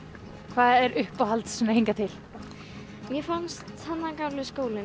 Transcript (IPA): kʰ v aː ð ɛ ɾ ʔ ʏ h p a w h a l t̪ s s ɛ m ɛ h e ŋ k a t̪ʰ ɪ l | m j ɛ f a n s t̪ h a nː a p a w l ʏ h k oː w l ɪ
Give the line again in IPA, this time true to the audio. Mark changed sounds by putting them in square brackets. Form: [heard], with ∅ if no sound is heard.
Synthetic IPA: kʰ v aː ð ɛ ɾ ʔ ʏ h p a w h a l t̪ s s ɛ m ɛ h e ŋ k a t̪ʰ ɪ l | m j ɛ f a n s t̪ h a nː a [k] a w l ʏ [s] k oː w l ɪ

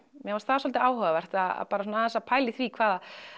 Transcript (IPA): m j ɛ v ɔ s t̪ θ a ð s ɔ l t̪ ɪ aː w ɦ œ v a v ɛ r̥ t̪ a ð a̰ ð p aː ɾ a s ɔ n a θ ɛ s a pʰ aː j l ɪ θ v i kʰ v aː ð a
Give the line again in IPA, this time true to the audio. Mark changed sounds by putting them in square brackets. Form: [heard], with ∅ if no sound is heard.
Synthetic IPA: m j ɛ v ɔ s t̪ θ a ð s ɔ l t̪ ɪ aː w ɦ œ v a v ɛ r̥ t̪ a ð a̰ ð p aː ɾ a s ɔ n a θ ɛ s a pʰ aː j l ɪ θ v i kʰ v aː ð a

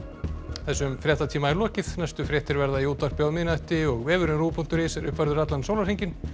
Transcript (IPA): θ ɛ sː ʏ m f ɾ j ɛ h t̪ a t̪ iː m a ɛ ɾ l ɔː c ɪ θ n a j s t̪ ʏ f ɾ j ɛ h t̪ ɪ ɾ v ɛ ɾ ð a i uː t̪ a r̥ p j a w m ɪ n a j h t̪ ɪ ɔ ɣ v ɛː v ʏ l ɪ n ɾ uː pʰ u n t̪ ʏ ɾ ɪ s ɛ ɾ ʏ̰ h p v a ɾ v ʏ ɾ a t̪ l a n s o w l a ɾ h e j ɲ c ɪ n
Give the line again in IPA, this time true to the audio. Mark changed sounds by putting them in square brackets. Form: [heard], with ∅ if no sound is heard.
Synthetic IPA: θ ɛ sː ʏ m f ɾ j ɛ h t̪ a [t̪ʰ] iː m a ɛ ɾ l ɔː c ɪ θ n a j s t̪ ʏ f ɾ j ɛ h t̪ ɪ ɾ v ɛ ɾ ð a i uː t̪ a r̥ p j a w m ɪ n a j h t̪ ɪ ɔ ɣ v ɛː v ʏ [ɾ] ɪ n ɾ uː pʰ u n t̪ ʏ ɾ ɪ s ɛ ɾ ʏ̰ h p v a ɾ [ð] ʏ ɾ a t̪ l a n s o w l a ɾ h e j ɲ c ɪ n

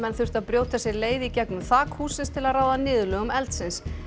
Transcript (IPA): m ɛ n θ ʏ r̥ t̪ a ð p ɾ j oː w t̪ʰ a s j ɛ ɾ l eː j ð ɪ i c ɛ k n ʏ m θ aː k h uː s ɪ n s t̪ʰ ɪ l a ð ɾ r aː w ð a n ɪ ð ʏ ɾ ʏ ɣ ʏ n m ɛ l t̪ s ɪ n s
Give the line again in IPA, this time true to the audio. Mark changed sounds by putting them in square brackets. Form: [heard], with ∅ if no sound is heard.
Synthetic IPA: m ɛ n θ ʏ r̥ t̪ a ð p ɾ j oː w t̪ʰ a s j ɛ ɾ l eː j ð ɪ i c ɛ k n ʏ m θ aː k h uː s ɪ n s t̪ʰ ɪ l a ð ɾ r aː w ð a n [ɪː] ð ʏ [l] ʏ ɣ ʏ [∅] m ɛ l t̪ s ɪ n s

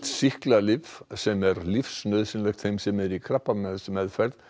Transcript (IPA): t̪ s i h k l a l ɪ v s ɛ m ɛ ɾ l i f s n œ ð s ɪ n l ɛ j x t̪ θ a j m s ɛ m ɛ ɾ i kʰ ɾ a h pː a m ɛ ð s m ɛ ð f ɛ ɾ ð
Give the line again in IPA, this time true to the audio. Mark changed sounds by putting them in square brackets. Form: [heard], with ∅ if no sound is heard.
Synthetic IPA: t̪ s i h k l a l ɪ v s ɛ m ɛ ɾ l i f s n œ ð s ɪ n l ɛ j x t̪ θ [e] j m s ɛ m ɛ ɾ i kʰ ɾ a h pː a m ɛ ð s m ɛ ð f ɛ ɾ ð

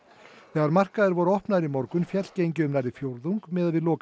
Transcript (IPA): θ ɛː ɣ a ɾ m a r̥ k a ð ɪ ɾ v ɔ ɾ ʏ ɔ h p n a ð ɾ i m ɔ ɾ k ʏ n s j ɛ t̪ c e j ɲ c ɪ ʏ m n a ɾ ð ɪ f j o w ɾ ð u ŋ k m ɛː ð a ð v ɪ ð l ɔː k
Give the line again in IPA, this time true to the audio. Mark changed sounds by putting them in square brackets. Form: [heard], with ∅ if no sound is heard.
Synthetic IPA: θ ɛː ɣ a ɾ m a r̥ k a ð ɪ ɾ v ɔ ɾ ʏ ɔ h p n a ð ɾ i m ɔ ɾ k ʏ n [f] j ɛ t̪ c e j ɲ c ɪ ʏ m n a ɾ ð ɪ f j o w ɾ ð u ŋ k m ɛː ð a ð v ɪ ð l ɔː k

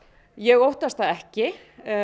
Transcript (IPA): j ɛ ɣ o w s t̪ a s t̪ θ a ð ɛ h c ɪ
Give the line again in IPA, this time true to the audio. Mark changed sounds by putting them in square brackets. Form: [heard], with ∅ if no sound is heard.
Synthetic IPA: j ɛ ɣ o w [h] t̪ a s t̪ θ a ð ɛ h c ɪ

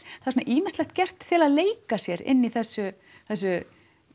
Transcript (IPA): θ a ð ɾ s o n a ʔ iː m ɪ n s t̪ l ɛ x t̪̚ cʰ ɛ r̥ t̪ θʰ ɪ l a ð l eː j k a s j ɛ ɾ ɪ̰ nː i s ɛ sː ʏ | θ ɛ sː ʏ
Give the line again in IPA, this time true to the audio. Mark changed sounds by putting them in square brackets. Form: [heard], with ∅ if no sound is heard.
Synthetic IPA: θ a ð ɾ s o n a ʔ iː m ɪ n s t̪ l ɛ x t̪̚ [c] ɛ r̥ t̪ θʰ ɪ l a ð l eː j k a s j ɛ ɾ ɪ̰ nː i [θ] ɛ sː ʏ | θ ɛ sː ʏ

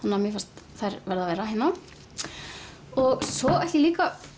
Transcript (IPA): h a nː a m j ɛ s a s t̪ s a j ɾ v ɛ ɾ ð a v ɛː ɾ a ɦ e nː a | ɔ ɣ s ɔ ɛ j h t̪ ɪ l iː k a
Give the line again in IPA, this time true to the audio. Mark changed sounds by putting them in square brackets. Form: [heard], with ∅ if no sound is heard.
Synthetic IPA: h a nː a m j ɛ [f] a s t̪ [θ] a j ɾ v ɛ ɾ ð a v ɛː ɾ a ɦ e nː a | ɔ ɣ s ɔ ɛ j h t̪ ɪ l iː k a

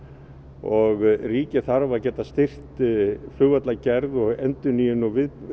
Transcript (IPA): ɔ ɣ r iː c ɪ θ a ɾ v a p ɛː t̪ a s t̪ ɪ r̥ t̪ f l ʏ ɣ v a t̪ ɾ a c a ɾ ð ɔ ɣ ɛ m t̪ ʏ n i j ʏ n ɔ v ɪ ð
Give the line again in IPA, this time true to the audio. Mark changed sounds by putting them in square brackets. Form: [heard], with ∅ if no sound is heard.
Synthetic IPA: ɔ ɣ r iː c ɪ θ a ɾ v a [c] ɛː t̪ a s t̪ ɪ r̥ t̪ f l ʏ ɣ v a t̪ [l] a c [ɛ] ɾ ð ɔ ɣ ɛ [n] t̪ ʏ n i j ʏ n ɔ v ɪ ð

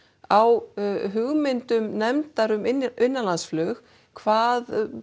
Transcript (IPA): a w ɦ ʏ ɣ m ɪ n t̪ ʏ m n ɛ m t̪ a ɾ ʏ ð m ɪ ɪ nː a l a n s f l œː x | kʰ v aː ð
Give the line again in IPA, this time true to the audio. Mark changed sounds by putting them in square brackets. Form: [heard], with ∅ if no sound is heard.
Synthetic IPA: a w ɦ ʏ ɣ m ɪ n t̪ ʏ m n ɛ m t̪ a ɾ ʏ [∅] m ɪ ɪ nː a l a n s f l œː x | kʰ v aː ð

